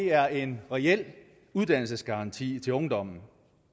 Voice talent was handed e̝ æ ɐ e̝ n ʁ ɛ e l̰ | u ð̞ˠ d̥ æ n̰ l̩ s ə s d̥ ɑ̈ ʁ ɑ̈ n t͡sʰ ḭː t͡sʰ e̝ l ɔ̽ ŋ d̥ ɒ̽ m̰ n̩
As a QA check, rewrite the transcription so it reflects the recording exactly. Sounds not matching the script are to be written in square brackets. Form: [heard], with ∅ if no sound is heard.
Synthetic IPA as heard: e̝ æ ɐ e̝ n ʁ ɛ e l̰ | u ð̞ˠ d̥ æ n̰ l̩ s ə s [ɡ̥] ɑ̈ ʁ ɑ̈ n t͡sʰ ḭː t͡sʰ e̝ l ɔ̽ ŋ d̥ ɒ̽ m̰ n̩

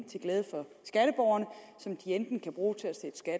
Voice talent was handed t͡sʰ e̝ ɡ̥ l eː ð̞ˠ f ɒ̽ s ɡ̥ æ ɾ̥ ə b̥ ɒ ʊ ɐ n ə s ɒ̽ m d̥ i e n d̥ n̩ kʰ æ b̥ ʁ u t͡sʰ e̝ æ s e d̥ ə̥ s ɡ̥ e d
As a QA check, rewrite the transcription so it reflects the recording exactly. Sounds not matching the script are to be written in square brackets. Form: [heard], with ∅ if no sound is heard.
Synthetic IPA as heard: t͡sʰ e̝ ɡ̥ l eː ð̞ˠ f ɒ̽ s ɡ̥ æ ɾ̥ ə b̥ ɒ ʊ ɐ n ə s ɒ̽ m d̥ i e n d̥ n̩ kʰ æ b̥ ʁ [uː] t͡sʰ e̝ æ s e d̥ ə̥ s ɡ̥ [æ] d

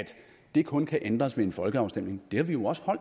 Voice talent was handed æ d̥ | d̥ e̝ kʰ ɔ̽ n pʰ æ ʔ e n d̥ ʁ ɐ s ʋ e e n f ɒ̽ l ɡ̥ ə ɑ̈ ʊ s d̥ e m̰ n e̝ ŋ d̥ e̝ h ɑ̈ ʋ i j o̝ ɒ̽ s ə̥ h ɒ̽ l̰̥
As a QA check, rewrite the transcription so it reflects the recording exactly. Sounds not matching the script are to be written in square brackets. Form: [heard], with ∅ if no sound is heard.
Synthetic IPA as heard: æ d̥ | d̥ e̝ kʰ ɔ̽ n [kʰ] æ ʔ e n d̥ ʁ ɐ s ʋ e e n f ɒ̽ l ɡ̥ ə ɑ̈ ʊ s d̥ e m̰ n e̝ ŋ d̥ e̝ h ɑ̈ ʋ i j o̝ ɒ̽ s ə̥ h ɒ̽ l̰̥

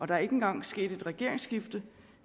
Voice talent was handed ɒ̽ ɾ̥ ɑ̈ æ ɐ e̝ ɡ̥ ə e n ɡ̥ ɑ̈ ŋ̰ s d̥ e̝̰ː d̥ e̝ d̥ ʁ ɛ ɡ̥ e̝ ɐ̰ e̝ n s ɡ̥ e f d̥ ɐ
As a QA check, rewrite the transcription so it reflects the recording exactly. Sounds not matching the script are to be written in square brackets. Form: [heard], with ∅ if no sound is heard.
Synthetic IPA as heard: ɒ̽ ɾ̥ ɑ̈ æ ɐ e̝ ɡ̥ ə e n ɡ̥ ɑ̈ ŋ̰ s [ɡ̥] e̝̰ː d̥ e̝ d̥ ʁ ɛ ɡ̥ e̝ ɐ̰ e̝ [ŋ] s ɡ̥ [i] f d̥ [ə]

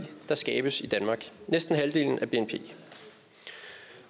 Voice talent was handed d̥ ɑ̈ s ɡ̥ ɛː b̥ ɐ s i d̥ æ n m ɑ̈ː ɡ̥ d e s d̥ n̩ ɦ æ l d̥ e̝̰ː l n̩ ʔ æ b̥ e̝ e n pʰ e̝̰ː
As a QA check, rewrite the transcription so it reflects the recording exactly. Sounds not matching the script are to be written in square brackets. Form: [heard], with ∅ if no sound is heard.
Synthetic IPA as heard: d̥ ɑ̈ s ɡ̥ ɛː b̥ [ə] s i d̥ æ n m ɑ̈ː ɡ̥ [n] e s d̥ n̩ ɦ æ l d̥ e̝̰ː l n̩ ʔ æ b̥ e̝ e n pʰ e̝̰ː

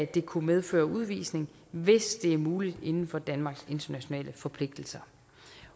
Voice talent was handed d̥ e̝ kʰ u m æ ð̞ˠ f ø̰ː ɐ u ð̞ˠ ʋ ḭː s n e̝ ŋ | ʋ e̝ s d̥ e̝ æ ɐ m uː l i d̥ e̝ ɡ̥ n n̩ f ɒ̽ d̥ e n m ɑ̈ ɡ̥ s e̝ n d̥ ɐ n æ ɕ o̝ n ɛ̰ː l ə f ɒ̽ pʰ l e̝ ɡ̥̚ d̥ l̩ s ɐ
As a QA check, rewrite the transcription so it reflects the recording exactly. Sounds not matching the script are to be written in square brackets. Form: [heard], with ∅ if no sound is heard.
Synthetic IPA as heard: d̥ e̝ kʰ u m [e] ð̞ˠ f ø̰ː ɐ u ð̞ˠ ʋ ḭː s n e̝ ŋ | ʋ e̝ s d̥ e̝ æ ɐ m uː l i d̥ e̝ [∅] n n̩ f ɒ̽ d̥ [æ] n m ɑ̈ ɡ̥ s e̝ n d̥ ɐ n æ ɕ o̝ n ɛ̰ː l ə f ɒ̽ pʰ l e̝ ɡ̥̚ d̥ l̩ s ɐ

